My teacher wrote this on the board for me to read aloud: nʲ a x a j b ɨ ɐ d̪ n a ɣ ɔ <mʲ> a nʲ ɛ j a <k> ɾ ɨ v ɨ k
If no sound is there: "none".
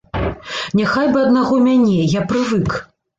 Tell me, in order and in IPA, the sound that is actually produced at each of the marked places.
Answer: mʲ, p

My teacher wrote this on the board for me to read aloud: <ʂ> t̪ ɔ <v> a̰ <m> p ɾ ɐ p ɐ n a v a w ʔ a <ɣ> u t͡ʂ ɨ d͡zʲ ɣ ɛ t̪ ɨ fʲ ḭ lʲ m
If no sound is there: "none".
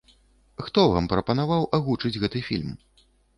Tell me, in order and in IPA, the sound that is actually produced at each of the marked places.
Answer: x, v, m, ɣ

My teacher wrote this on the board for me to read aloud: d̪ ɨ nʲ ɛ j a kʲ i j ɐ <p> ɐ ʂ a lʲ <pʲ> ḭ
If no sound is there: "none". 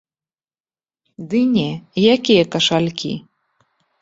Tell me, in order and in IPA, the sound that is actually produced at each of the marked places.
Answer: k, kʲ

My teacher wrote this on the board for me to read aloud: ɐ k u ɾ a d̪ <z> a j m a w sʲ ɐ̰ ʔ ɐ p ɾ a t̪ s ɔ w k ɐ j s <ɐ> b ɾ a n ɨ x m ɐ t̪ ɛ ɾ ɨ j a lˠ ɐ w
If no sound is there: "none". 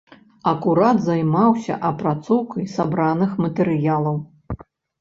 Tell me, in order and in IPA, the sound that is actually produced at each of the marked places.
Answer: z, a

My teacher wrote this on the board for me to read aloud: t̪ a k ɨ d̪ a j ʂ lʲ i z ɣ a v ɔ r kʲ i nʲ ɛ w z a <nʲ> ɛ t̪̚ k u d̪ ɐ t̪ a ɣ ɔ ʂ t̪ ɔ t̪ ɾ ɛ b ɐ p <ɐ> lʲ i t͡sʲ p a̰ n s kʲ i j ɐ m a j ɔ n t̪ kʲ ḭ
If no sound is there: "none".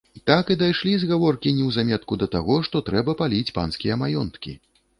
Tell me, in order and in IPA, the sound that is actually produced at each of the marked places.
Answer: mʲ, a

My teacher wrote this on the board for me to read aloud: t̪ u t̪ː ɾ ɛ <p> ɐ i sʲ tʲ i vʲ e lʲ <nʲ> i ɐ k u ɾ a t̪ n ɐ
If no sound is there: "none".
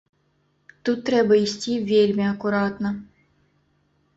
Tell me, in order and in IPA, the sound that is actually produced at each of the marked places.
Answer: b, mʲ

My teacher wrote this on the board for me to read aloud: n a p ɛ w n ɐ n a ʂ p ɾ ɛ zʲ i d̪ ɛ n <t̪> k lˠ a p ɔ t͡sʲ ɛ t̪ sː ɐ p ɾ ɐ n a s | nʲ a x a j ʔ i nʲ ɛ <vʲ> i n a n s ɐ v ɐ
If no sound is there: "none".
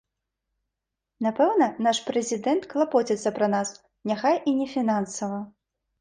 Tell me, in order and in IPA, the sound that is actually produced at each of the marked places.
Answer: t̪, fʲ

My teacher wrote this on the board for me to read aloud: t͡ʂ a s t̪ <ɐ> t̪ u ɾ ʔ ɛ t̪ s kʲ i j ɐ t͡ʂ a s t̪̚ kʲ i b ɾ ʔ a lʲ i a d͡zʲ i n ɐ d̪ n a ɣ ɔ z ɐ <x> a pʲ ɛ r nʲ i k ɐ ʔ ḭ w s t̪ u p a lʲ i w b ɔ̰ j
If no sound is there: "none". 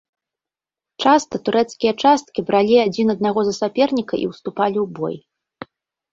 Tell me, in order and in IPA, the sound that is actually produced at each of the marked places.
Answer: ɐ, s

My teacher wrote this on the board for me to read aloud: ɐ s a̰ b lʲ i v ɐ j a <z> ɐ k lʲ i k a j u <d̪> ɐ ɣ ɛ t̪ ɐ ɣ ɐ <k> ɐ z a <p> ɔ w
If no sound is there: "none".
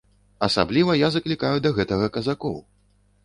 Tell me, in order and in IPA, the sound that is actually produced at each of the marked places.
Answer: z, d̪, k, k

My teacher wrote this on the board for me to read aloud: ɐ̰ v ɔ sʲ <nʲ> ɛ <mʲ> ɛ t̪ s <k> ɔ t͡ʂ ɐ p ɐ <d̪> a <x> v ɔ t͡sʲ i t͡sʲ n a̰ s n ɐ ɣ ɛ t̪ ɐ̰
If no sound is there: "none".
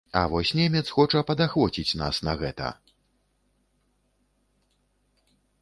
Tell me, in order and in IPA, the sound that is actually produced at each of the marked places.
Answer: nʲ, mʲ, x, d̪, x

